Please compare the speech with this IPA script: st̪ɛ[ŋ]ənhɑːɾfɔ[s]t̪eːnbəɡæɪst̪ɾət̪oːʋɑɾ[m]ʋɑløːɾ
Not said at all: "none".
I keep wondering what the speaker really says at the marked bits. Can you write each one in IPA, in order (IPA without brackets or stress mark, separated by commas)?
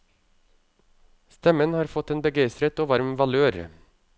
m, none, m